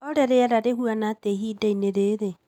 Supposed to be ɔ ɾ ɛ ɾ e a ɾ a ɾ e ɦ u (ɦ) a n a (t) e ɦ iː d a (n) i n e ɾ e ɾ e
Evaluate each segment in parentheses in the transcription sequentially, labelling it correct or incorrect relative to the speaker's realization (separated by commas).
incorrect, correct, incorrect